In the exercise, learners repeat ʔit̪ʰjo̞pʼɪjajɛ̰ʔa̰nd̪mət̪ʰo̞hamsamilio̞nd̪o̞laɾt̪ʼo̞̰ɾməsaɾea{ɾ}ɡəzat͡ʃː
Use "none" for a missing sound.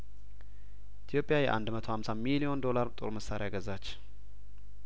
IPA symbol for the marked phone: none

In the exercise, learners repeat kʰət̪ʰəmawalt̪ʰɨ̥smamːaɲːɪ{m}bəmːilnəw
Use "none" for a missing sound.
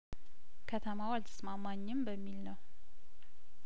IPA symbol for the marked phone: m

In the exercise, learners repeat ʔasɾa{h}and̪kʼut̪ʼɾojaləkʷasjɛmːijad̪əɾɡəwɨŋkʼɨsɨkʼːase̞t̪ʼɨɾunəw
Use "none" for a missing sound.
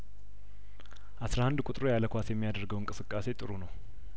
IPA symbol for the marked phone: h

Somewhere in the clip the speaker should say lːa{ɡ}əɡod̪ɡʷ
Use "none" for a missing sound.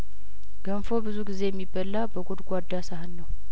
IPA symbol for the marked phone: b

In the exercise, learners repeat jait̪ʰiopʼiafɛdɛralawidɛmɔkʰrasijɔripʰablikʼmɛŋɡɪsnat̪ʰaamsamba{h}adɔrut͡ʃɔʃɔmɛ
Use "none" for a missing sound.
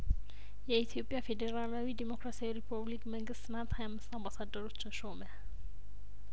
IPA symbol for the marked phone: s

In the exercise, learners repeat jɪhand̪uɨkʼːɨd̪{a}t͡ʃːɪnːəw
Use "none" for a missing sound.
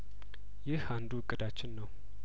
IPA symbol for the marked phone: a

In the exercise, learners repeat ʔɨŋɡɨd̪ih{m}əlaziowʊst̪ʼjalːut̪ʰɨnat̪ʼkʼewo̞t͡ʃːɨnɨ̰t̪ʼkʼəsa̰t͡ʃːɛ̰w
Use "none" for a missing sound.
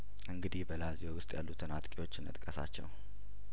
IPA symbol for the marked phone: b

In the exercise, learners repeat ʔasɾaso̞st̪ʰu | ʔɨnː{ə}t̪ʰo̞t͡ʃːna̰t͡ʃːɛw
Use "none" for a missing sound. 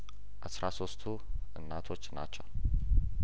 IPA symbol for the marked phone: a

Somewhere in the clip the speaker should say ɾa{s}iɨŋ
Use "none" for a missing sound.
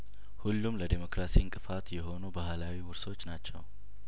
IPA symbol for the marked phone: s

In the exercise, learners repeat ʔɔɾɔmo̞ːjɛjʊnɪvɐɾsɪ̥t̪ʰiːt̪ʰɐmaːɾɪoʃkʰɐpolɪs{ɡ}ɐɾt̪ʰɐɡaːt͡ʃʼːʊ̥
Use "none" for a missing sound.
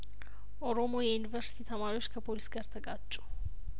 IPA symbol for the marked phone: ɡ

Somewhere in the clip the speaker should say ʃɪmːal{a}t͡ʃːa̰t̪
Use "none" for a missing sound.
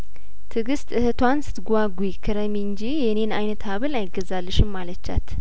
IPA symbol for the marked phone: ə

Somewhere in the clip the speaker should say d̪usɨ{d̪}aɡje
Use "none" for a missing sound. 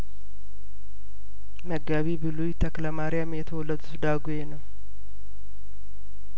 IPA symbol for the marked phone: d̪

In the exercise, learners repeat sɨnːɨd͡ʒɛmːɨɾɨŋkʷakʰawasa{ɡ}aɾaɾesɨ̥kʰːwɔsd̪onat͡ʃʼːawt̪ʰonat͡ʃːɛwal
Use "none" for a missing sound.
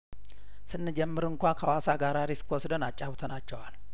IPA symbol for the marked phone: ɡ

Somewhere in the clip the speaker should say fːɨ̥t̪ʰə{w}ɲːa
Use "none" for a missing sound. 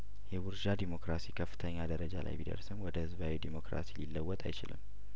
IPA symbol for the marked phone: none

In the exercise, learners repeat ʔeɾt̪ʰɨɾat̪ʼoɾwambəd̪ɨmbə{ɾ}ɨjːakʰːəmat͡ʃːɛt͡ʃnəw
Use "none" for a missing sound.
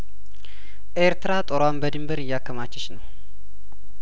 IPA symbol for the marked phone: ɾ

